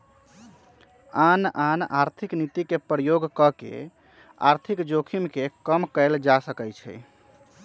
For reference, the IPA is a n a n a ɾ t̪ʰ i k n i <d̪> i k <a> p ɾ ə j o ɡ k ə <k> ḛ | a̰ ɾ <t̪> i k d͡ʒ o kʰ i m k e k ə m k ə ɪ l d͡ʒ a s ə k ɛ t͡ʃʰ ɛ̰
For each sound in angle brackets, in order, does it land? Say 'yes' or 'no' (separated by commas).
no, no, yes, no